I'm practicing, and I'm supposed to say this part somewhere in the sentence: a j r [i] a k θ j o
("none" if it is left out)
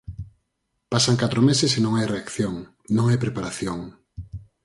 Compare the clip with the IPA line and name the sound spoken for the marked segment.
e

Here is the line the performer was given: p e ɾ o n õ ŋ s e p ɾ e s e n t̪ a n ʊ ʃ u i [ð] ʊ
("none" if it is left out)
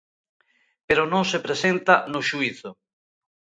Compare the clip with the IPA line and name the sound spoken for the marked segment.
θ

